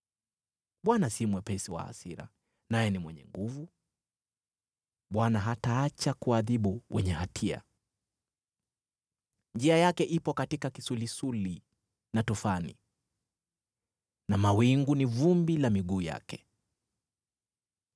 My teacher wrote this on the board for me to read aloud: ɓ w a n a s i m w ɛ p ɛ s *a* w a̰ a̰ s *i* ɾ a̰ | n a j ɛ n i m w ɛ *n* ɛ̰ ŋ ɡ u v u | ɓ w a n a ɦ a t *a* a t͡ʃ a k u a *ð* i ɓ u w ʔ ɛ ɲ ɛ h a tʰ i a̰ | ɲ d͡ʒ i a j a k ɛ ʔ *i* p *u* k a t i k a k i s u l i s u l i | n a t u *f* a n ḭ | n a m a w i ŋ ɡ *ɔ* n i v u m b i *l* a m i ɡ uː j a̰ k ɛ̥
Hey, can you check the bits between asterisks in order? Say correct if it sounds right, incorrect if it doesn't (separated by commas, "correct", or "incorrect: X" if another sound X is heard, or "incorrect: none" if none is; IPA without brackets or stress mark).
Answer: incorrect: i, correct, incorrect: ɲ, correct, correct, correct, incorrect: ɔ, correct, incorrect: u, correct